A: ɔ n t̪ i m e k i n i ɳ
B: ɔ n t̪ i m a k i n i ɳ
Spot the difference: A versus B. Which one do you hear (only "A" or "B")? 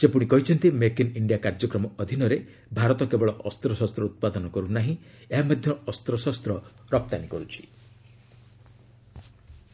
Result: A